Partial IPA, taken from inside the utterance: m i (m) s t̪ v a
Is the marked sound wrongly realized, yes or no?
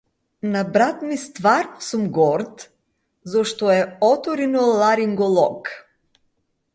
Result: yes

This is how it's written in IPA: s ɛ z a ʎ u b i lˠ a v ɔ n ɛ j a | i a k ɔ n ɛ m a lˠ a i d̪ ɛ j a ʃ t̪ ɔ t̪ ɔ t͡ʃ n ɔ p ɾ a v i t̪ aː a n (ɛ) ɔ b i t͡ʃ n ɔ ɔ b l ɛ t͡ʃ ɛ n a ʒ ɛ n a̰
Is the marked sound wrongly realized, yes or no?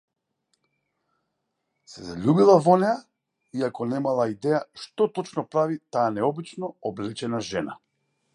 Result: no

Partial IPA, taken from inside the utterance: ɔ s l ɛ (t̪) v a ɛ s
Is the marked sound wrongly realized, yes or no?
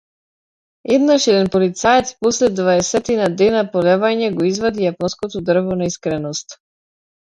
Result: yes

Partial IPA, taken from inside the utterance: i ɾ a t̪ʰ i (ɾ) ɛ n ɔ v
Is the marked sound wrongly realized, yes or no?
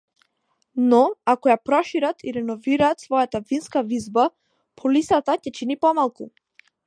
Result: no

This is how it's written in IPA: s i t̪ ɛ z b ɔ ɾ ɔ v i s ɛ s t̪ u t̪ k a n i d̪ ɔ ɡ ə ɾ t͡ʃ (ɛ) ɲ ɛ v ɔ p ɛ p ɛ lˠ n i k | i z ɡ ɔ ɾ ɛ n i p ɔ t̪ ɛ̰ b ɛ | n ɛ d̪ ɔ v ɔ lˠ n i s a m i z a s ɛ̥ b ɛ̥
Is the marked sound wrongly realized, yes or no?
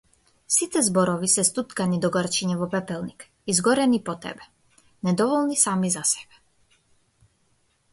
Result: yes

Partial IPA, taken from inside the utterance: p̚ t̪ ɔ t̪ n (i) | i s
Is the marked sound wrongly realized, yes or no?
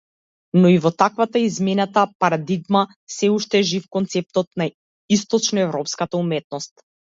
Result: yes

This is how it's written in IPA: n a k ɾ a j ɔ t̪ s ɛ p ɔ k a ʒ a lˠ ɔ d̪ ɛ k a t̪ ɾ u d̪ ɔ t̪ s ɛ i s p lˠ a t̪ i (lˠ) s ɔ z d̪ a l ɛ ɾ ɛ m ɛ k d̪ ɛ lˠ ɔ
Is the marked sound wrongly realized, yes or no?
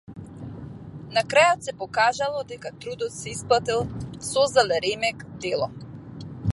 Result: no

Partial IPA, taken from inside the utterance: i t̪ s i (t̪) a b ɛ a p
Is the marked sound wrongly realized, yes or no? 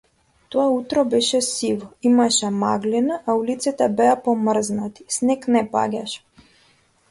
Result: no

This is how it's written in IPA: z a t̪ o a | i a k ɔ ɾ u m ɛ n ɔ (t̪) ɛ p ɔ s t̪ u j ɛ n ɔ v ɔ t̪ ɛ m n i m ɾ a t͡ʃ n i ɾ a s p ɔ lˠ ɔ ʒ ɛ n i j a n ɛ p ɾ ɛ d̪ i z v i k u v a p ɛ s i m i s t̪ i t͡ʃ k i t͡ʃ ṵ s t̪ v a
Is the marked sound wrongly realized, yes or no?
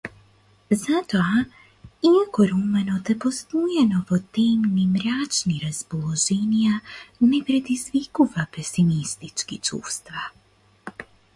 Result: no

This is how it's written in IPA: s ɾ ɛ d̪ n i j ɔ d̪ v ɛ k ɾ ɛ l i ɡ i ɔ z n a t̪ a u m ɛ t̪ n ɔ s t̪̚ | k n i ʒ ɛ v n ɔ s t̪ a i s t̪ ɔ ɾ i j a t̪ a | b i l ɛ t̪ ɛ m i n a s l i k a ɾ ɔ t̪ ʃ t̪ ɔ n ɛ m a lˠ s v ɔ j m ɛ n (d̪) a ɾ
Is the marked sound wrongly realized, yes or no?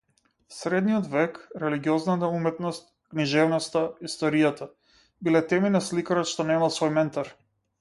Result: yes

